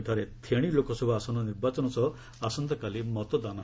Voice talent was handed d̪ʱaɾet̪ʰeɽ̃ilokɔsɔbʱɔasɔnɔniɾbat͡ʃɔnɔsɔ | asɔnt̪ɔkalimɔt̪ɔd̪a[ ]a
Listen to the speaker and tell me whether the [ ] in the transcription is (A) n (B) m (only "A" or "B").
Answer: A